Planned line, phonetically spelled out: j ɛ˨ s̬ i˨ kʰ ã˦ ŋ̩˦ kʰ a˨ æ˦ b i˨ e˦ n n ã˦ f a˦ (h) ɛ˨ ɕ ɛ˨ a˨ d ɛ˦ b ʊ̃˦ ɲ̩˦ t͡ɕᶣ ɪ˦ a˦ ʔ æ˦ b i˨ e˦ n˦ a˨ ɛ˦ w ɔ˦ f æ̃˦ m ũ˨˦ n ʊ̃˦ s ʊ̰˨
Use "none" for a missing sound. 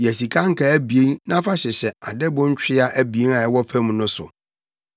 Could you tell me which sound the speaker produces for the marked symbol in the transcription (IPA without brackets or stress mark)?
ɕ